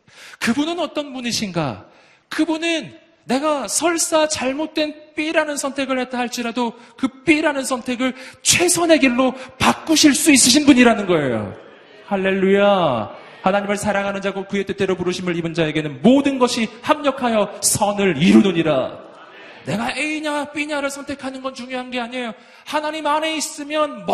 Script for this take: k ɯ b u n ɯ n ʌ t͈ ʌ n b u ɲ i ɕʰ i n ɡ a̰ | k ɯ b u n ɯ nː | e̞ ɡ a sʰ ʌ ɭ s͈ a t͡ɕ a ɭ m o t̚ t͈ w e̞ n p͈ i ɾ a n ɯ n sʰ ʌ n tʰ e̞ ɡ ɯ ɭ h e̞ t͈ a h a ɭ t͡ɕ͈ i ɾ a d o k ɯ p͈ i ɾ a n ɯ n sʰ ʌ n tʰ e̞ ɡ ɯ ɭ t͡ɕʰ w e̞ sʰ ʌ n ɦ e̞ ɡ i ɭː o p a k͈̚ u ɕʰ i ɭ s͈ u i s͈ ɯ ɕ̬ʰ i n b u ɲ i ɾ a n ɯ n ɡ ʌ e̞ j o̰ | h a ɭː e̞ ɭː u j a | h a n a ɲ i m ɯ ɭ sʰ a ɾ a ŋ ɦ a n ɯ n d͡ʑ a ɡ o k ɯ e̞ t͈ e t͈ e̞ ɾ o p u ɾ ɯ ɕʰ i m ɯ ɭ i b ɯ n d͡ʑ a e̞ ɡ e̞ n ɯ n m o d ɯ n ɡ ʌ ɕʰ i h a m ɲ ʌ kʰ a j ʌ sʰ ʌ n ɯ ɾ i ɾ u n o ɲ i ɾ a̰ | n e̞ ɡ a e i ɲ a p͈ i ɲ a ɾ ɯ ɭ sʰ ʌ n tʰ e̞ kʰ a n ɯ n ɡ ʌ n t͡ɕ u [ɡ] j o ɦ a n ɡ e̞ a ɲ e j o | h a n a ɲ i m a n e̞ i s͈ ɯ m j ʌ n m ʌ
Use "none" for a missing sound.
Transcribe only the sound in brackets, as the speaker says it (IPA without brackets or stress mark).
ŋ